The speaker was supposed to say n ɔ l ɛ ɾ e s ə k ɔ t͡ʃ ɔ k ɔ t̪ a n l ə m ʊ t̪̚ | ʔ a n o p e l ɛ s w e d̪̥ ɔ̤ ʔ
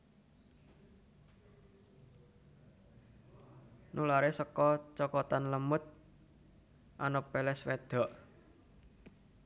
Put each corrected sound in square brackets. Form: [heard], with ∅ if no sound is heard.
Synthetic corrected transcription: n [u] l [a] ɾ e s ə k ɔ t͡ʃ ɔ k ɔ t̪ a n l ə m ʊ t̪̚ | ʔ a n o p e l ɛ s w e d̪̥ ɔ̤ ʔ